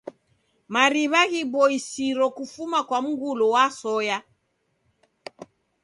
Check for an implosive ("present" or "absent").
absent